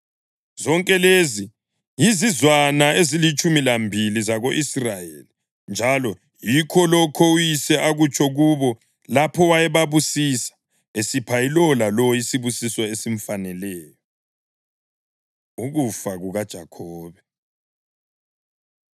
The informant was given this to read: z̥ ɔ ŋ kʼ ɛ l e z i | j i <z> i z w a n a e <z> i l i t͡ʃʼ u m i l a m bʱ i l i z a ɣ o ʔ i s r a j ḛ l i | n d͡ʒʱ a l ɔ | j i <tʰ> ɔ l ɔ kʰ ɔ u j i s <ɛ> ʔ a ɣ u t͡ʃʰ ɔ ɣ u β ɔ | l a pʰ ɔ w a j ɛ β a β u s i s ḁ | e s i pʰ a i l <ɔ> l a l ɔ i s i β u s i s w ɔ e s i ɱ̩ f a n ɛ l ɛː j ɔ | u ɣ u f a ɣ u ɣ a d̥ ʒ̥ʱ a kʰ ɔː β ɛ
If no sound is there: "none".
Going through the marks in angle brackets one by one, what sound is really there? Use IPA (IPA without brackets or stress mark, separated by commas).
z, z, kʰ, ɛ, ɔ